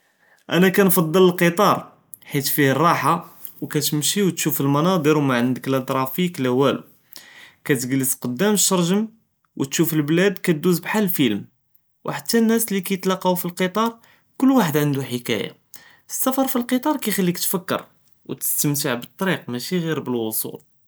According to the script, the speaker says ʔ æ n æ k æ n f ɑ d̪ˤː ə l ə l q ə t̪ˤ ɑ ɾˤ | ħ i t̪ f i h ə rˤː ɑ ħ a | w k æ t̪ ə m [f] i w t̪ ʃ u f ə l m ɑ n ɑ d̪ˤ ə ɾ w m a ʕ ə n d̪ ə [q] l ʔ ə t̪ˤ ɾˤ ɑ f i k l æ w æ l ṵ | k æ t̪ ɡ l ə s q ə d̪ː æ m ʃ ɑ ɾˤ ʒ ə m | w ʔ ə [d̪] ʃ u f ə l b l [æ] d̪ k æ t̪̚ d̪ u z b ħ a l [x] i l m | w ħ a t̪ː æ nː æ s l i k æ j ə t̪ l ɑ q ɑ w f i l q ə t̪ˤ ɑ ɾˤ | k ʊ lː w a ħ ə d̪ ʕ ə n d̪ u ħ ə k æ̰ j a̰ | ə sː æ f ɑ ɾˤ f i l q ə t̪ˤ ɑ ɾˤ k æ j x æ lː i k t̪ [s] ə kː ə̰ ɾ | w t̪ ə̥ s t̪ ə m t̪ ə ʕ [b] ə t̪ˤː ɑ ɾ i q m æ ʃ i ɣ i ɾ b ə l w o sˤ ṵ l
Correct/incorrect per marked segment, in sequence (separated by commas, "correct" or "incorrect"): incorrect, incorrect, incorrect, correct, incorrect, incorrect, correct